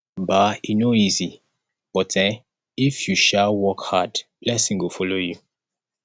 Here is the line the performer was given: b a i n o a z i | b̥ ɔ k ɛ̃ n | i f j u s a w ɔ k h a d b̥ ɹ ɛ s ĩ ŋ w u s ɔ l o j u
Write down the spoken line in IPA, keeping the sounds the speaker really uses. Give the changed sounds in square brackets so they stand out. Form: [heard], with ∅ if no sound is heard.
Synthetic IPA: b a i n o [i] z i | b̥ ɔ [t] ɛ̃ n | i f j u [ʃ] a w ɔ k h a d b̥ [l] ɛ s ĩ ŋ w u [f] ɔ l o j u